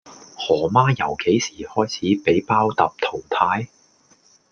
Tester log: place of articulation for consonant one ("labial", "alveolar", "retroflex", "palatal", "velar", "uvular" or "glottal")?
glottal